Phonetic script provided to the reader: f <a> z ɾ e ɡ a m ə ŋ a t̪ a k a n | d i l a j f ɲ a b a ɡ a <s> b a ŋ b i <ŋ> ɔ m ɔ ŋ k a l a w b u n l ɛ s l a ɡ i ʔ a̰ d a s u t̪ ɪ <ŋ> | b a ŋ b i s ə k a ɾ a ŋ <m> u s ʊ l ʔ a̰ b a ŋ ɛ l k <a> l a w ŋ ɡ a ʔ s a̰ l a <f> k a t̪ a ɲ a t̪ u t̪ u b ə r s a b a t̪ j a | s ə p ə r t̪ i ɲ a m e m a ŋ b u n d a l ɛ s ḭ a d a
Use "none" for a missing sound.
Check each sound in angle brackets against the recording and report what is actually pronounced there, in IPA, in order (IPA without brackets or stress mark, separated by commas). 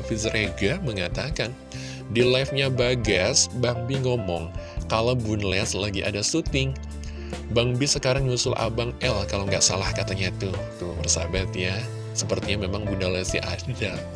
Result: i, s, ŋ, ŋ, ɲ, a, h